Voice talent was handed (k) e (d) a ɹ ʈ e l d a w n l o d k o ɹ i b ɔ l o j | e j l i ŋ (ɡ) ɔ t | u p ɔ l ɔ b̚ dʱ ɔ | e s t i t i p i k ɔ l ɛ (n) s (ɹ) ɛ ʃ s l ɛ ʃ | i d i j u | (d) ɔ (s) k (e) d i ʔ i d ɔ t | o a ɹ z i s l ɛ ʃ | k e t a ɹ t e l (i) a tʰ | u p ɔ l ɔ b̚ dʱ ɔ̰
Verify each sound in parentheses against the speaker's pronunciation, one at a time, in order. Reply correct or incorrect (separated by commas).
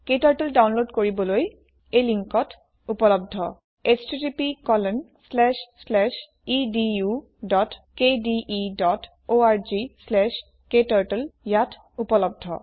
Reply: correct, incorrect, incorrect, correct, incorrect, correct, incorrect, correct, incorrect